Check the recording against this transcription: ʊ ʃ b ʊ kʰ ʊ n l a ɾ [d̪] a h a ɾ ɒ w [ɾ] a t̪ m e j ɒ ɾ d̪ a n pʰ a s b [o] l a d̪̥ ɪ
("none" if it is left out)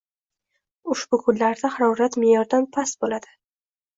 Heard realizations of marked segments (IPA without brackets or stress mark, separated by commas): d̪, ɾ, o